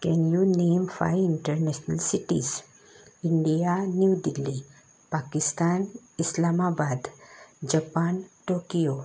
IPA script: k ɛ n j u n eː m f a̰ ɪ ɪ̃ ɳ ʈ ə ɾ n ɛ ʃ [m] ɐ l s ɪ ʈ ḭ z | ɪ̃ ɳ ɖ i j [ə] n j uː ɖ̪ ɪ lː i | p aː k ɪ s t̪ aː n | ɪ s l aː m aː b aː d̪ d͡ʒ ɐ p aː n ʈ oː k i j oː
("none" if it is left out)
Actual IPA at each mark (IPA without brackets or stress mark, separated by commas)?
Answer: n, a